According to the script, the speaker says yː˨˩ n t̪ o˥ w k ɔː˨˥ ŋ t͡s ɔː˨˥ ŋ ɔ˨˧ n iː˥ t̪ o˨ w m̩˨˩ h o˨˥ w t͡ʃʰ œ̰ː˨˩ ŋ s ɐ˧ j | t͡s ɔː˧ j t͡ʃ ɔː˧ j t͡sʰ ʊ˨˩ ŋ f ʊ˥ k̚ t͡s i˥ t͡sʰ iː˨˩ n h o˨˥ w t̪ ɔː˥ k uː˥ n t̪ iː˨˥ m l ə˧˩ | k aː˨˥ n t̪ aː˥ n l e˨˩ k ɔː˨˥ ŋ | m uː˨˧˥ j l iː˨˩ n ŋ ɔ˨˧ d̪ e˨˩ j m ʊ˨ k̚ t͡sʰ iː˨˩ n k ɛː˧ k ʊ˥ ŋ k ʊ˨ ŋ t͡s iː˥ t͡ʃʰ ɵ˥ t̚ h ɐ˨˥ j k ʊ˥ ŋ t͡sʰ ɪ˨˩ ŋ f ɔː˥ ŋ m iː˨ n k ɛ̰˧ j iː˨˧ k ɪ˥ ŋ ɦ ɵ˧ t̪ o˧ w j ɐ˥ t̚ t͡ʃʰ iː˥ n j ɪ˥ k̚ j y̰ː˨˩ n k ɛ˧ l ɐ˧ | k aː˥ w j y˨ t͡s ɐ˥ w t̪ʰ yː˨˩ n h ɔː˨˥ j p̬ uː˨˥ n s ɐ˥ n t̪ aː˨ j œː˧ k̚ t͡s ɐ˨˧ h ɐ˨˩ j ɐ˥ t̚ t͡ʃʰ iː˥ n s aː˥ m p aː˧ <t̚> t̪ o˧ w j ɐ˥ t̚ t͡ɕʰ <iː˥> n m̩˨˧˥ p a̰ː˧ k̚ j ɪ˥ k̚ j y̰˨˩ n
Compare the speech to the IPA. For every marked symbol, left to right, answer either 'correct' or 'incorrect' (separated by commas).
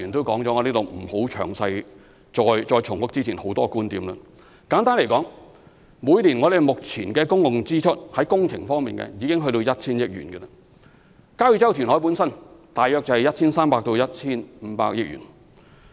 incorrect, correct